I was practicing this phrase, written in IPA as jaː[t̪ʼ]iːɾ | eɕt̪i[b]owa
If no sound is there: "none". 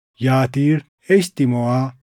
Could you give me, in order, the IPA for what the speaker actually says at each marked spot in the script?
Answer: t̪, m

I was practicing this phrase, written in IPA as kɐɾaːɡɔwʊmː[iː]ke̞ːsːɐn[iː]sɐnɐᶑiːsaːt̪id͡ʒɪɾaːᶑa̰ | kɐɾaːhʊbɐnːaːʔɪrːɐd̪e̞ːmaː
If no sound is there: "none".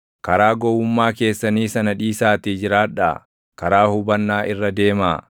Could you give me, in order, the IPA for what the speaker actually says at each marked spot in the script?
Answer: aː, iː

